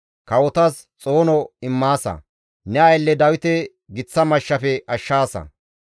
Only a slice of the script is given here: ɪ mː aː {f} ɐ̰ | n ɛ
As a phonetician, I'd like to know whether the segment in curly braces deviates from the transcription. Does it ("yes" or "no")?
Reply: yes